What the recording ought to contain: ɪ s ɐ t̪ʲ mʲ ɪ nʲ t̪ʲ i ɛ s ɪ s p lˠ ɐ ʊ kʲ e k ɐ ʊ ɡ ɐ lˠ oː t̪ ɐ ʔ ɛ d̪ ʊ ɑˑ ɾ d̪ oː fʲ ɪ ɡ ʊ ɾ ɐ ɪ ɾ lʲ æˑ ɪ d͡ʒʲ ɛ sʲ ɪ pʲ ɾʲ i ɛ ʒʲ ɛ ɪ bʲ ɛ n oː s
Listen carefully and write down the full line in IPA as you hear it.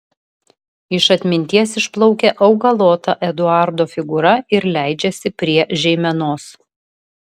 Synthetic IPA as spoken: ɪ ʃ ɐ t̪ʲ mʲ ɪ nʲ t̪ʲ i ɛ s ɪ ʃ p lˠ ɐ ʊ kʲ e ʔ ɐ ʊ ɡ ɐ lˠ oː t̪ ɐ ʔ ɛ d̪ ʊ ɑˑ ɾ d̪ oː fʲ ɪ ɡ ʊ ɾ ɐ ɪ ɾ lʲ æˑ ɪ d͡ʒʲ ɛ sʲ ɪ pʲ ɾʲ i ɛ ʒʲ ɛ ɪ mʲ ɛ n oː s

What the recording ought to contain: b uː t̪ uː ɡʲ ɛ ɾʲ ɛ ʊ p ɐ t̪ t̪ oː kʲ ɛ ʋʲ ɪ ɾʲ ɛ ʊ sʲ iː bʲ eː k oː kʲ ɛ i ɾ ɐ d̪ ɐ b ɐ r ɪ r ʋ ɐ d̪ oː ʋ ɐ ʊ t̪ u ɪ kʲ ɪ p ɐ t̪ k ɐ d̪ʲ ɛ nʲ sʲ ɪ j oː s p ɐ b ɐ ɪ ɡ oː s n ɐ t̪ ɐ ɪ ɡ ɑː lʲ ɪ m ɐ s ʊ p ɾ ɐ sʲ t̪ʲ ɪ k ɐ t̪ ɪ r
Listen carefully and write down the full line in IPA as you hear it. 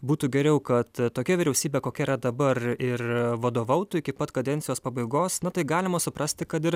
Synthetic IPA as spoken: b uː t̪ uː ɡʲ ɛ ɾʲ ɛ ʊ k ɐ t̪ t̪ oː kʲ ɛ ʋʲ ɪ ɾʲ ɛ ʊ sʲ iː bʲ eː k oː kʲ ɛ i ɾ ɐ d̪ ɐ b ɐ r ɪ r ʋ ɐ d̪ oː ʋ ɐ ʊ t̪ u ɪ kʲ ɪ p ɐ t̪ k ɐ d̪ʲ ɛ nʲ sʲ ɪ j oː s p ɐ b ɐ ɪ ɡ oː s n ɐ t̪ ɐ ɪ ɡ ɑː lʲ ɪ m ɐ s ʊ p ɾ ɐ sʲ t̪ʲ ɪ k ɐ t̪ ɪ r

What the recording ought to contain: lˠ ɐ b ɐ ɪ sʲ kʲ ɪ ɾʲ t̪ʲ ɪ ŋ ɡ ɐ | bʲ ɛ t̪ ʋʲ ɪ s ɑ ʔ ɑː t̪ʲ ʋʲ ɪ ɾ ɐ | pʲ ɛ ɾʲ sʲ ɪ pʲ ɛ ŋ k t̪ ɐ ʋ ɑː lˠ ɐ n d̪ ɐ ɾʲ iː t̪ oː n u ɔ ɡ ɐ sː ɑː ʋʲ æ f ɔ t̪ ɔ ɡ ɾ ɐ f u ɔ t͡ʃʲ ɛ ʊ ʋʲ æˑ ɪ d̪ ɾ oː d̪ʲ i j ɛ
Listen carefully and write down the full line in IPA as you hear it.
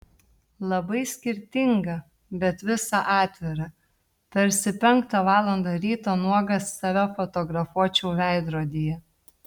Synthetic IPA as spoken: lˠ ɐ b ɐ ɪ sʲ kʲ ɪ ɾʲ t̪ʲ ɪ ŋ ɡ ɐ | bʲ ɛ t̪ ʋʲ ɪ s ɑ ʔ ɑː t̪ʲ ʋʲ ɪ ɾ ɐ | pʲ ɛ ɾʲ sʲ ɪ pʲ ɛ ŋ k t̪ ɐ ʋ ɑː lˠ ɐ n d̪ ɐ ɾʲ iː t̪ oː n u ɔ ɡ ɐ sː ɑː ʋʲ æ f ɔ t̪ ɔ ɡ ɾ ɐ f u ɔ t͡ʃʲ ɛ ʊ ʋʲ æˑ ɪ d̪ ɾ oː d̪ʲ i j ɛ

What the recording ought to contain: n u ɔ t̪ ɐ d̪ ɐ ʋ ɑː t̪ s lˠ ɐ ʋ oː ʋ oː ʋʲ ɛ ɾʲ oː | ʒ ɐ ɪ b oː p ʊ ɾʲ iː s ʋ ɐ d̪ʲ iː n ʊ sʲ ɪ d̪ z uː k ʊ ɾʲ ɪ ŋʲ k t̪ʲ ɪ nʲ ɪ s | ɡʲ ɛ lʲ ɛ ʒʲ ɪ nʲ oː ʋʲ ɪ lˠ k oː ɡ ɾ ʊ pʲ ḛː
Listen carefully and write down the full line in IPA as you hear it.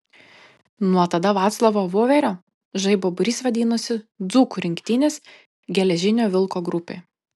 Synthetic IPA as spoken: n u ɔ t̪ ɐ d̪ ɐ ʋ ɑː t̪ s lˠ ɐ ʋ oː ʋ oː ʋʲ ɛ ɾʲ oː | ʒ ɐ ɪ b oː b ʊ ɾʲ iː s ʋ ɐ d̪ʲ iː n ʊ sʲ ɪ d̪ z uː k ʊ ɾʲ ɪ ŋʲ k t̪ʲ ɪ nʲ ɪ s | ɡʲ ɛ lʲ ɛ ʒʲ ɪ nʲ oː ʋʲ ɪ lˠ k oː ɡ ɾ ʊ pʲ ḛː

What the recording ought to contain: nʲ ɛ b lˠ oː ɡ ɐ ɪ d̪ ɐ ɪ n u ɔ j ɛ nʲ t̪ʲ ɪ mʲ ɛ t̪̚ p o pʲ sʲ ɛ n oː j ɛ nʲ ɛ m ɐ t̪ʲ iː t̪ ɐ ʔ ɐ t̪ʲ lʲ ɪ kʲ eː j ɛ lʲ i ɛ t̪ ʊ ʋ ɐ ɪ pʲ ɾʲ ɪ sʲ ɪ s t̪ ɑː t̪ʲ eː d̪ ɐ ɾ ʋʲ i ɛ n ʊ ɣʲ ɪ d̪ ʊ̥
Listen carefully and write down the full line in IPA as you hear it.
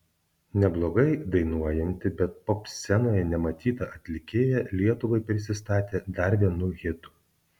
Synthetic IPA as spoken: nʲ ɛ b lˠ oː ɡ ɐ ɪ d̪ ɐ ɪ n u ɔ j ɛ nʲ t̪ʲ ɪ bʲ ɛ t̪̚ p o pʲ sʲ ɛ n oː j ɛ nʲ ɛ m ɐ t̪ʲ iː t̪ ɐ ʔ ɐ t̪ʲ lʲ ɪ kʲ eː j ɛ lʲ i ɛ t̪ ʊ ʋ ɐ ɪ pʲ ɾʲ ɪ sʲ ɪ s t̪ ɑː t̪ʲ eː d̪ ɐ ɾ ʋʲ i ɛ n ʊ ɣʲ ɪ t̪ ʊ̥

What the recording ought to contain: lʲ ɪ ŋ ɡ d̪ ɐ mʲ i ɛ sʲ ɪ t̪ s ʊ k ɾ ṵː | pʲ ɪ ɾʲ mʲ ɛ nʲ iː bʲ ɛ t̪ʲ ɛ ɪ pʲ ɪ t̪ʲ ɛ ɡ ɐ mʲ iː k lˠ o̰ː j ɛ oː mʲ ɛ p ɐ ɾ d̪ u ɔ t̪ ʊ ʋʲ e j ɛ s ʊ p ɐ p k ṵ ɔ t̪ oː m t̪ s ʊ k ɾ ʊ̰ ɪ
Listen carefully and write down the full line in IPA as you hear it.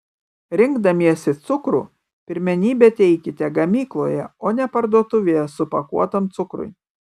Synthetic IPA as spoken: ɾʲ ɪ ŋ ɡ d̪ ɐ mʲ i ɛ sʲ ɪ t̪ s ʊ k ɾ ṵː | pʲ ɪ ɾʲ mʲ ɛ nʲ iː bʲ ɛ t̪ʲ ɛ ɪ kʲ ɪ t̪ʲ ɛ ɡ ɐ mʲ iː k lˠ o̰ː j ɛ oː nʲ ɛ p ɐ ɾ d̪ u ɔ t̪ ʊ ʋʲ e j ɛ s ʊ p ɐ k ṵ ɔ t̪ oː m t̪ s ʊ k ɾ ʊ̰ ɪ

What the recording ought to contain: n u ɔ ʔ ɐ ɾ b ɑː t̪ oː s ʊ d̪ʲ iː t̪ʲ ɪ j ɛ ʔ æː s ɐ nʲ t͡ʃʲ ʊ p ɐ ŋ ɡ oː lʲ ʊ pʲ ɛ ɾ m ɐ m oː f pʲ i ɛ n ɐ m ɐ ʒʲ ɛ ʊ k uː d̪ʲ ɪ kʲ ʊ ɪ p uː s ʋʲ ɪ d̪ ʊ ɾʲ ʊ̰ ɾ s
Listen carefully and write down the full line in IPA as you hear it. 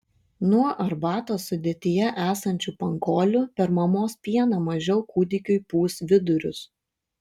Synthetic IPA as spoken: n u ɔ ʔ ɐ ɾ b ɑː t̪ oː s ʊ d̪ʲ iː t̪ʲ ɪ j ɛ ʔ æː s ɐ nʲ t͡ʃʲ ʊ p ɐ ŋ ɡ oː lʲ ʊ pʲ ɛ ɾ m ɐ m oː s pʲ i ɛ n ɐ m ɐ ʒʲ ɛ ʊ k uː d̪ʲ ɪ kʲ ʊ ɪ p uː s ʋʲ ɪ d̪ ʊ ɾʲ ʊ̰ s

